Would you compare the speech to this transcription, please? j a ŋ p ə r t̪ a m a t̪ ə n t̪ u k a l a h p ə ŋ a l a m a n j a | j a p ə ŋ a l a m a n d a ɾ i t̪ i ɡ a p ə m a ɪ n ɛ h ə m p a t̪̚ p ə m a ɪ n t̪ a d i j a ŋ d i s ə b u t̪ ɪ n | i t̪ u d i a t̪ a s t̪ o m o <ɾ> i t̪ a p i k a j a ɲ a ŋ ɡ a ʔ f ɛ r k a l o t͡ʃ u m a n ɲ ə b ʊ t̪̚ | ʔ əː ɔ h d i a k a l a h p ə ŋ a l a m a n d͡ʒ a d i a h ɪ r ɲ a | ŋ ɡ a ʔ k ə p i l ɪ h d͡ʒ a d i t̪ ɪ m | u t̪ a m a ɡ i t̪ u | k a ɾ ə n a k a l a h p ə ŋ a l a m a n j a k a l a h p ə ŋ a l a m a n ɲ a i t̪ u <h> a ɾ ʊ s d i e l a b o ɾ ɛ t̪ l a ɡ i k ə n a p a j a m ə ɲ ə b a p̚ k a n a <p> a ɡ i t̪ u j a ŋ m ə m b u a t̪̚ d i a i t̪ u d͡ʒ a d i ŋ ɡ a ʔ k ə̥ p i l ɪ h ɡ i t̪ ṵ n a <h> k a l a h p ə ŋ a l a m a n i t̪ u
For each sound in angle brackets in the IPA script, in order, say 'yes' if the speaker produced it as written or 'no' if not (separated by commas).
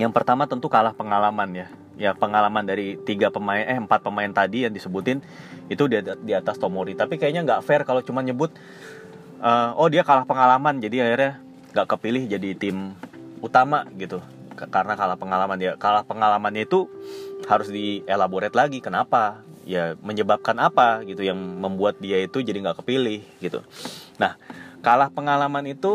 yes, yes, yes, yes